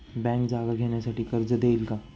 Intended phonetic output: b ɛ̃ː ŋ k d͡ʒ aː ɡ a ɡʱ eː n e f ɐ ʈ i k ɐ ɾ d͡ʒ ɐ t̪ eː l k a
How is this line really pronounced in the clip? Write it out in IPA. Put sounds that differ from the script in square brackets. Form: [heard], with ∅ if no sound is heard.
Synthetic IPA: b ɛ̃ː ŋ k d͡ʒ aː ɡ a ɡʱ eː n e [s] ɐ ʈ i k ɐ ɾ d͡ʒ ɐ [d̪] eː l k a